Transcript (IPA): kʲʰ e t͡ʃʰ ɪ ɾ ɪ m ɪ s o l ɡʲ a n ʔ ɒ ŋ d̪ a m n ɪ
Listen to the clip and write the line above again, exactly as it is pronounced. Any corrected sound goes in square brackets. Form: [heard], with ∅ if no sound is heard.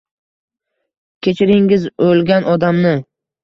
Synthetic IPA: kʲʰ e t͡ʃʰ ɪ ɾ ɪ [ŋ] ɪ [z] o l ɡʲ a n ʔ ɒ [∅] d̪ a m n ɪ